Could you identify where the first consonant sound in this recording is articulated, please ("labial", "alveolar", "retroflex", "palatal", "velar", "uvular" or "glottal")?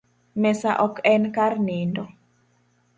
labial